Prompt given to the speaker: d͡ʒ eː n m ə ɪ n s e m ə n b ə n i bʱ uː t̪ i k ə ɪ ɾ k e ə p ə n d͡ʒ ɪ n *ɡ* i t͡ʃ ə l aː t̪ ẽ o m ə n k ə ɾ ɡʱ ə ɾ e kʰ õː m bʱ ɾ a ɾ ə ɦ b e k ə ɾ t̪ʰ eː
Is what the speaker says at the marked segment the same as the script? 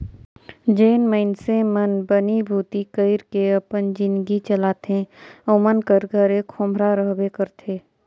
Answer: yes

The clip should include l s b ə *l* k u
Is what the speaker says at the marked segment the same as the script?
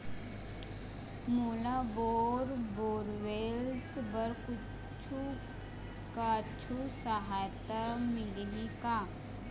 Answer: no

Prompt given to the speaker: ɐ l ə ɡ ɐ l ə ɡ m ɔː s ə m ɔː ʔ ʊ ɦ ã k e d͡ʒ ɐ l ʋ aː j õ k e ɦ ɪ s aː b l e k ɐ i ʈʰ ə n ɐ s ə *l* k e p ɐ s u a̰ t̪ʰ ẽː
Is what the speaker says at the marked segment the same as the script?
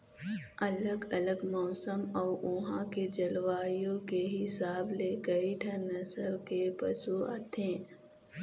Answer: no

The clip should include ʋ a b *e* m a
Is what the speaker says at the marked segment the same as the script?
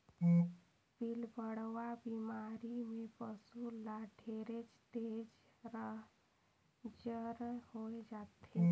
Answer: no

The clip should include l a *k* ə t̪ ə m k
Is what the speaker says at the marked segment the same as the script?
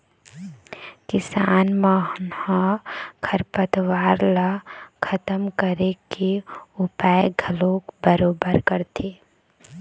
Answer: no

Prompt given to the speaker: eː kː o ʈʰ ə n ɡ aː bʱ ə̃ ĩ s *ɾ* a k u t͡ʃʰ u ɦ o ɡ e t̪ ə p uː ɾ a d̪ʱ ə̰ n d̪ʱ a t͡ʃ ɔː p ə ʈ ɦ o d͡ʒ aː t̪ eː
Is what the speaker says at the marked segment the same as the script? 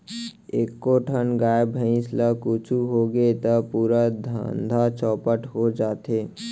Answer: no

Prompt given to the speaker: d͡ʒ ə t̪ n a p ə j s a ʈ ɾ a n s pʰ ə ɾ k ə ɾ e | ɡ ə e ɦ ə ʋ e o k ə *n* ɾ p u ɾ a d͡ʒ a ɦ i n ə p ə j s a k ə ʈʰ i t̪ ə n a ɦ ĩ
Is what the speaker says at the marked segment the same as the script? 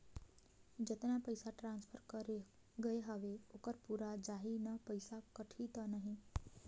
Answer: no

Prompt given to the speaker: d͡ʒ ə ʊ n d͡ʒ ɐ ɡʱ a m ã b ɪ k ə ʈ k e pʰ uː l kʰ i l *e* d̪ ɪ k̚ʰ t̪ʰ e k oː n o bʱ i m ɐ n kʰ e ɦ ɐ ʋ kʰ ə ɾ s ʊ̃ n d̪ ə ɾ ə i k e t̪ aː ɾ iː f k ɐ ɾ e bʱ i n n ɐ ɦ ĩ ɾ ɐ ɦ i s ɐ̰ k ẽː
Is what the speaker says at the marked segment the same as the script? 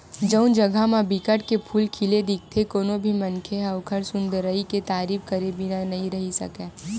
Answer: yes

